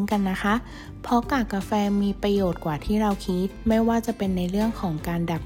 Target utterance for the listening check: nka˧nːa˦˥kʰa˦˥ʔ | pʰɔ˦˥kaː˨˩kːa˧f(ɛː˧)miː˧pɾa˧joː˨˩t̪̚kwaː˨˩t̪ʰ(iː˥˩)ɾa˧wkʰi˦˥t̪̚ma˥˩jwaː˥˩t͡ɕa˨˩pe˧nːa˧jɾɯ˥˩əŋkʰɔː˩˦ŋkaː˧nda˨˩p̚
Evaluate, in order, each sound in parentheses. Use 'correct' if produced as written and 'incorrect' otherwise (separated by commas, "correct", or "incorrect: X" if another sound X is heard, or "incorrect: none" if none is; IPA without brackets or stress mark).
correct, correct